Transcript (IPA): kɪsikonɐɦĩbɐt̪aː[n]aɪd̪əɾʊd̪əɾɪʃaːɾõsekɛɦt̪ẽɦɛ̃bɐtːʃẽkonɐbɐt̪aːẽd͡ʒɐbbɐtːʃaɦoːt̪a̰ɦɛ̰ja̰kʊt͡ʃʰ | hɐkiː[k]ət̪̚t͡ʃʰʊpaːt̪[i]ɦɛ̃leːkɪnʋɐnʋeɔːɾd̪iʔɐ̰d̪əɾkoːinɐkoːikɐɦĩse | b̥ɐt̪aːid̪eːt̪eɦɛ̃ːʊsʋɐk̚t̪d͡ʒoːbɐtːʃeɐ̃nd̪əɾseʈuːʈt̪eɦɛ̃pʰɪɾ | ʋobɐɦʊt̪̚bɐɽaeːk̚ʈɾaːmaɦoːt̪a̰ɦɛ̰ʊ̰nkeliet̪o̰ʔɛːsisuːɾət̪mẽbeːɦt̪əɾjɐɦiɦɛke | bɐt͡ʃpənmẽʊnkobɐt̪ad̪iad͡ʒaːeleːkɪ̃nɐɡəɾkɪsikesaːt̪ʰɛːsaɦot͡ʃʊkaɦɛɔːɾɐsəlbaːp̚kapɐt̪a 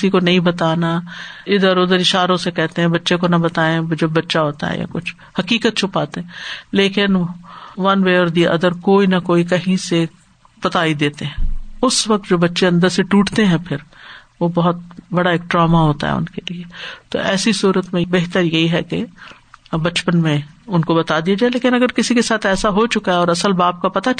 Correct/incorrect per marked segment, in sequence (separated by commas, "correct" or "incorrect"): correct, correct, incorrect